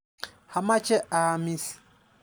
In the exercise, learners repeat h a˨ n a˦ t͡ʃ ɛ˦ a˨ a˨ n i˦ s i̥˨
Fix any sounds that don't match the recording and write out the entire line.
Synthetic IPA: h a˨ m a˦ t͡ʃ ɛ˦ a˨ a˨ m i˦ s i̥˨